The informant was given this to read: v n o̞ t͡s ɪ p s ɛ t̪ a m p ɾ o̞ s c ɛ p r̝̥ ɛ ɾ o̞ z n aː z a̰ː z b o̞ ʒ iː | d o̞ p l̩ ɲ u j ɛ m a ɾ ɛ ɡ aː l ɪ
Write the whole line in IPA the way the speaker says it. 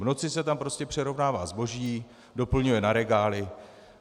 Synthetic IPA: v n o̞ t͡s ɪ s ɛ t̪ a m p ɾ o̞ s c ɛ p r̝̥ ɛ ɾ o̞ v n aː v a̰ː z b o̞ ʒ iː | d o̞ p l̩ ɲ u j ɛ n a ɾ ɛ ɡ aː l ɪ